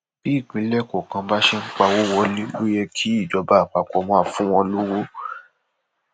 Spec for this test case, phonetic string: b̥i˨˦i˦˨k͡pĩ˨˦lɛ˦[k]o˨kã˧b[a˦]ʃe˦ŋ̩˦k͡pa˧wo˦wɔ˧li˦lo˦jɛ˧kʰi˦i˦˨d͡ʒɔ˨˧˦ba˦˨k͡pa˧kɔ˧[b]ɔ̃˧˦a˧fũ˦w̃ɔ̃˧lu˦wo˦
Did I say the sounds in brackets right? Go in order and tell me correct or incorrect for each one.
correct, correct, incorrect: m

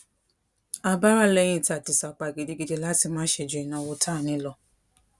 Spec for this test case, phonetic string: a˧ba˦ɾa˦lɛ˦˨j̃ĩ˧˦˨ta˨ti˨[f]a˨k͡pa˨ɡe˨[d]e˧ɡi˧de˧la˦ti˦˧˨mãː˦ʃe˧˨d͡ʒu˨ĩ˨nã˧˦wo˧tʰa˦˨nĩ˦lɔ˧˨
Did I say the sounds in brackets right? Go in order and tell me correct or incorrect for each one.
incorrect: s, correct

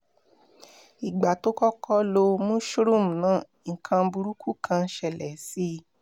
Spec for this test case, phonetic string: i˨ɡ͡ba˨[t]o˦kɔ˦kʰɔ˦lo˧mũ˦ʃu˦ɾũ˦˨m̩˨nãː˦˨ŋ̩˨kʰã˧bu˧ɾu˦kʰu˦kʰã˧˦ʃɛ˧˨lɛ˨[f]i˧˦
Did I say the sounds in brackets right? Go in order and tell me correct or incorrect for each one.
correct, incorrect: s

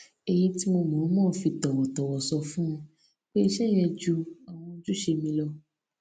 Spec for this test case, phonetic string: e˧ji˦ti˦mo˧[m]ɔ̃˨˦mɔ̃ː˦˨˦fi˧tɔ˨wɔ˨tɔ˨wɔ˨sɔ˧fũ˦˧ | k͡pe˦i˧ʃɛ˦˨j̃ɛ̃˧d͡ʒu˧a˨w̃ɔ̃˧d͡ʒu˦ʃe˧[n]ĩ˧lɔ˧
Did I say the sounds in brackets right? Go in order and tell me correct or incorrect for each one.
correct, incorrect: m

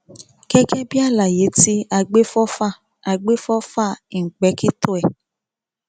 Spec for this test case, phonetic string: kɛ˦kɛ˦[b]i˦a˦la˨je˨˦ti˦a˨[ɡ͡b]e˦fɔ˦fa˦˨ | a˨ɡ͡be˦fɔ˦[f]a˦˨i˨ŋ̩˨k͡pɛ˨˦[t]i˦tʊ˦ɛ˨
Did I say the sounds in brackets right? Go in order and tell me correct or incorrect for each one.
correct, correct, correct, incorrect: k

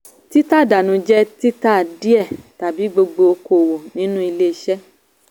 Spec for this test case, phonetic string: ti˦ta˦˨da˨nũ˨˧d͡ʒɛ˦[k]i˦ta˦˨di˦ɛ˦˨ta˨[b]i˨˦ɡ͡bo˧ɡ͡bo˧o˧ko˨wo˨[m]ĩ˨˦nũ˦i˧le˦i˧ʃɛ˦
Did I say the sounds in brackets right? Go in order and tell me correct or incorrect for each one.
incorrect: t, correct, incorrect: n

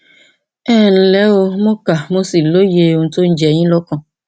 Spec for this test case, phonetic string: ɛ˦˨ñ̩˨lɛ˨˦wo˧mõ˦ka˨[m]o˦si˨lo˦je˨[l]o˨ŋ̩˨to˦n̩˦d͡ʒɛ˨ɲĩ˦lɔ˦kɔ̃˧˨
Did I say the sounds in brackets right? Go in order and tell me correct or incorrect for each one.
correct, incorrect: none

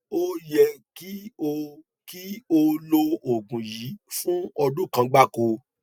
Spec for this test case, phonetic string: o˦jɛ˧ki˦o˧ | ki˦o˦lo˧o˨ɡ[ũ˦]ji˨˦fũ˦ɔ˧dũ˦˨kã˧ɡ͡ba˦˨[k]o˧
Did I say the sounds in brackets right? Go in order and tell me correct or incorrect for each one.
incorrect: ũ˨, correct

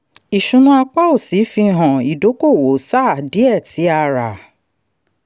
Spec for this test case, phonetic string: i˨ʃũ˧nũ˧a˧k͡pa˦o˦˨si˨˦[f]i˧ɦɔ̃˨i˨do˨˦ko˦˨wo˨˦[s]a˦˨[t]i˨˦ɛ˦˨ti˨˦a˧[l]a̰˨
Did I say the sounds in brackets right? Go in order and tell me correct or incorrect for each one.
correct, correct, incorrect: d, incorrect: ɾ

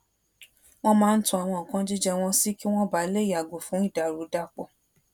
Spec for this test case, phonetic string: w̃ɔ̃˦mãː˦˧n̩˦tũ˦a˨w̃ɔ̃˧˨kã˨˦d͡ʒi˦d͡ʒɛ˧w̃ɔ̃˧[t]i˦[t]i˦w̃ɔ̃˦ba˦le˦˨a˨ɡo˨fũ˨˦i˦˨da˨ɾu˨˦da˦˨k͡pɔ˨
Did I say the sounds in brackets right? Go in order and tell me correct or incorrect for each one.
incorrect: s, incorrect: k

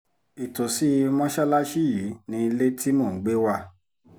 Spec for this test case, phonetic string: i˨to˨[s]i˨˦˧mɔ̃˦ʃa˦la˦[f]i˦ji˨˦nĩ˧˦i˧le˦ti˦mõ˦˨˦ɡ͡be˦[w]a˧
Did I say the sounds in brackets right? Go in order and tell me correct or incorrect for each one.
correct, incorrect: ʃ, correct

